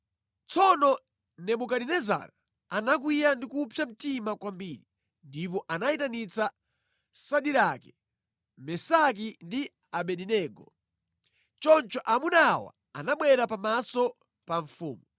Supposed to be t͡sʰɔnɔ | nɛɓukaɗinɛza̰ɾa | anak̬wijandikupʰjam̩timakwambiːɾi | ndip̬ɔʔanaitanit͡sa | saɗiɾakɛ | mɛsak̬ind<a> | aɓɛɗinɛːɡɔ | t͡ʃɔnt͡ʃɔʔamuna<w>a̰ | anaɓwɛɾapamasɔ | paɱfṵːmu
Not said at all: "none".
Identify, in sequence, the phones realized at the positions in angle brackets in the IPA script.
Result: i, w

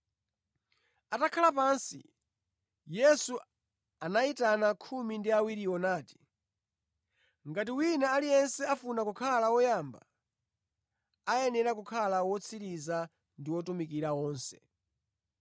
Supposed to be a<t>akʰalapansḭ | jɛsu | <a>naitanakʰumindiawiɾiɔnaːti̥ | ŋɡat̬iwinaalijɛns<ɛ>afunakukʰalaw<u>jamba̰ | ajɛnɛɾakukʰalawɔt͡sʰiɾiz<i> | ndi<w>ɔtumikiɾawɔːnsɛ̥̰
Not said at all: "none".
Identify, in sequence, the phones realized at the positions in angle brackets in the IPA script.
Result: t, a, ɛ, ɔ, a, w

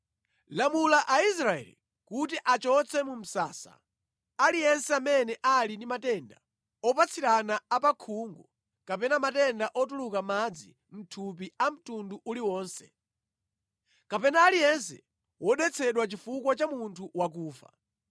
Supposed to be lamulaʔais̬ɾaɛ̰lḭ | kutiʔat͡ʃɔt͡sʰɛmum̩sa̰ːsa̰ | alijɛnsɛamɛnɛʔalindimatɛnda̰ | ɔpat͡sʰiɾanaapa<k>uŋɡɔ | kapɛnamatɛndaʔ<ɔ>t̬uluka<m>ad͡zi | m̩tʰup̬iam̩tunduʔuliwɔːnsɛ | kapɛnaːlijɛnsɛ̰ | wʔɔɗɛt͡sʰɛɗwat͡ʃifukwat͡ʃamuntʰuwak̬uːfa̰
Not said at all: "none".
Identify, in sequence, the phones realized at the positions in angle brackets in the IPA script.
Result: kʰ, ɔ, m

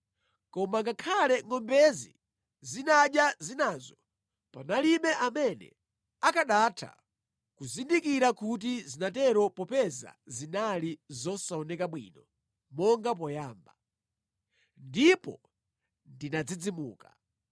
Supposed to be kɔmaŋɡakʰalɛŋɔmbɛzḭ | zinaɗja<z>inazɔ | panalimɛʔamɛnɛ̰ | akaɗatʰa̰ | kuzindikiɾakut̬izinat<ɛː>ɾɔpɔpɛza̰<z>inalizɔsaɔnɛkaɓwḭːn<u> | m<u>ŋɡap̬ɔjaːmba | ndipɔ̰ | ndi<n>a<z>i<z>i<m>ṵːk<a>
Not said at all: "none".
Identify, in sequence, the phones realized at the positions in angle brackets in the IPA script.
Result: z, ɛ, z, ɔ, ɔ, n, d͡z, d͡z, m, a

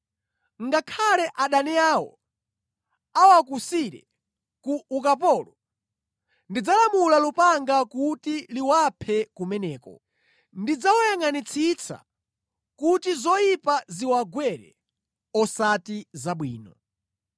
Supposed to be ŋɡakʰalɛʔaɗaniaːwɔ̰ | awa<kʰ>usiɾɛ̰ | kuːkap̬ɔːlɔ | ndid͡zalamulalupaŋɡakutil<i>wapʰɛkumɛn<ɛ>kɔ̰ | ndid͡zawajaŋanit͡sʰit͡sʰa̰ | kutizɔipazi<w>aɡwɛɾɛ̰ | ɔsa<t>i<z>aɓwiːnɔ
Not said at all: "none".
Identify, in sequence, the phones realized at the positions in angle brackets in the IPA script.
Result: k, i, ɛː, w, t, z

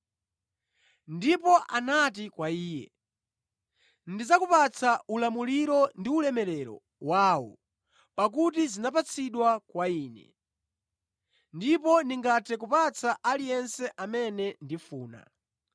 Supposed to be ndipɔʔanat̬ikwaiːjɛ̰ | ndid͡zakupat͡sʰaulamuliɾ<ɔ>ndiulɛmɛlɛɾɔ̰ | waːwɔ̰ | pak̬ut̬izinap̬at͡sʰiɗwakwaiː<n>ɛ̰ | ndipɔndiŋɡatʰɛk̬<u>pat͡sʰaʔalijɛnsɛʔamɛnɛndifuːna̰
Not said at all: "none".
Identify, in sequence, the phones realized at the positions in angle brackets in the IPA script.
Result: ɔ, n, u

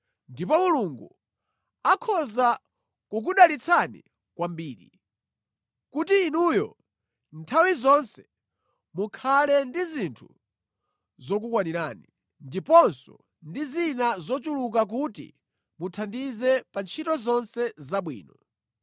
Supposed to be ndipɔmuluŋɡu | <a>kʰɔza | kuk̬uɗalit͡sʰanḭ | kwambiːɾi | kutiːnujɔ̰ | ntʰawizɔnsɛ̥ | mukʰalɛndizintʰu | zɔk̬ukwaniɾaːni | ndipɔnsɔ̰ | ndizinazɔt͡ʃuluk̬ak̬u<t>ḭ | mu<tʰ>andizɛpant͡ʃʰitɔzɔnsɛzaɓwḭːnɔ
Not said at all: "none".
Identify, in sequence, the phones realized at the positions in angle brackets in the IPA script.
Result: a, t, tʰ

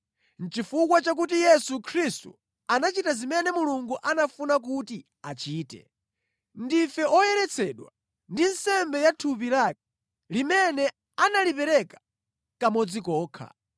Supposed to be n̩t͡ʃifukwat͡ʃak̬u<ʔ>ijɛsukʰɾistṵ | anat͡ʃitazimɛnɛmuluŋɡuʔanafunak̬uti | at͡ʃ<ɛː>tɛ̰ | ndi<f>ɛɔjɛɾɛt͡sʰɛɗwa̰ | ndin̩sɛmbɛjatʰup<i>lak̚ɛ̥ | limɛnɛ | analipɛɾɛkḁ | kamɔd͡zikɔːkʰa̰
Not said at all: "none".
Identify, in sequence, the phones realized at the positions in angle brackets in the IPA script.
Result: t, iː, f, i

